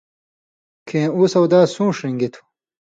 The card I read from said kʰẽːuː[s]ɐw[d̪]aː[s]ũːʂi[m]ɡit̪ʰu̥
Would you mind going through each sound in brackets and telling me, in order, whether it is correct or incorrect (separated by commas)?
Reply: correct, correct, correct, incorrect